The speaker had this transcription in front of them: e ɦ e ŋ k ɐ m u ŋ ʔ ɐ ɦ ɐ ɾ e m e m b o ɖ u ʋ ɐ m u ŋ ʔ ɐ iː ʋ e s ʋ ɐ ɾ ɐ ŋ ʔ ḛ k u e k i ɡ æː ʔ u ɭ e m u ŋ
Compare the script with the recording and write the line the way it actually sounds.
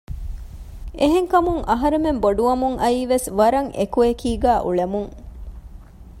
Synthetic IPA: e ɦ e ŋ k ɐ m u ŋ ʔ ɐ ɦ ɐ ɾ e m e m b o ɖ u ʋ ɐ m u ŋ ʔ ɐ iː ʋ e s ʋ ɐ ɾ ɐ ŋ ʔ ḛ k u e k iː ɡ æː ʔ u ɭ e m u ŋ